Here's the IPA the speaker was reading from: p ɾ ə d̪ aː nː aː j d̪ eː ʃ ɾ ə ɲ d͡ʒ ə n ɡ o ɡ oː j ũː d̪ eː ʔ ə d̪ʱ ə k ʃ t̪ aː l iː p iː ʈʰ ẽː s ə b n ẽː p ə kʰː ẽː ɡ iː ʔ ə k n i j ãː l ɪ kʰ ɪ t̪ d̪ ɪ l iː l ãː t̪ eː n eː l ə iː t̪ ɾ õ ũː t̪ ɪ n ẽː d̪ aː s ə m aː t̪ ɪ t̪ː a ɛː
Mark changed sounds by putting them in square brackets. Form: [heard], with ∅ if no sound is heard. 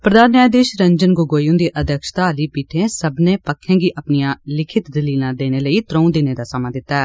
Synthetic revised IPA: p ɾ ə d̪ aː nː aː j d̪ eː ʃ ɾ ə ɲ d͡ʒ ə n ɡ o ɡ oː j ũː d̪ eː ʔ ə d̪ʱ ə k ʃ t̪ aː l iː p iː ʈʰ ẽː s ə b n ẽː p ə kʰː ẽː ɡ iː ʔ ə [p] n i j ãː l ɪ kʰ ɪ t̪ d̪ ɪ l iː l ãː [d̪] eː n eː l ə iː t̪ ɾ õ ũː [d̪] ɪ n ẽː d̪ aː s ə m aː [d̪] ɪ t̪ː a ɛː